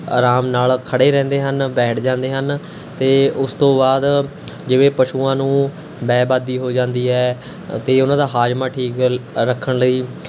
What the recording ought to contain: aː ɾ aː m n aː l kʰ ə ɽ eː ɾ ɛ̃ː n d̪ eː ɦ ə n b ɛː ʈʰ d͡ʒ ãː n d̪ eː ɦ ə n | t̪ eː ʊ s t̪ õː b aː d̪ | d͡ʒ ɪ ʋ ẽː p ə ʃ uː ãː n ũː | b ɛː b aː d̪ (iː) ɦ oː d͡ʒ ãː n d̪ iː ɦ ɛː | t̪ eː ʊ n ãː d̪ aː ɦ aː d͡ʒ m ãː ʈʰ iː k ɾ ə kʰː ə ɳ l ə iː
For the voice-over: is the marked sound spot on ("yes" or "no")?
yes